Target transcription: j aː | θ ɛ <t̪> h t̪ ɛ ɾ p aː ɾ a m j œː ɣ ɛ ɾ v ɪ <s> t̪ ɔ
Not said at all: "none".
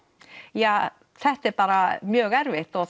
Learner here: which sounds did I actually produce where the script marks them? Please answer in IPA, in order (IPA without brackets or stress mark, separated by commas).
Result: none, h